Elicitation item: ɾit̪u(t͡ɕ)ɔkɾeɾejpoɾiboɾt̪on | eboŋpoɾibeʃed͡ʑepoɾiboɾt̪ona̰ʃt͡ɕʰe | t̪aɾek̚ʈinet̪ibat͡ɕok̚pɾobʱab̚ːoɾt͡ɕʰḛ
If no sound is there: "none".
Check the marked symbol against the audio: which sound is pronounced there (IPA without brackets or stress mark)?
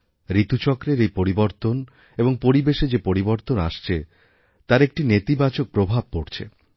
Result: t͡ɕ